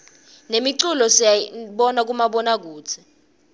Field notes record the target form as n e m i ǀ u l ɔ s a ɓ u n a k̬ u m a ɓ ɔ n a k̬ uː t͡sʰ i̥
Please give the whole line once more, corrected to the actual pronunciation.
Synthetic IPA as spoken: n e m i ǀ u l ɔ s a ɓ ɔ n a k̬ u m a ɓ ɔ n a k̬ uː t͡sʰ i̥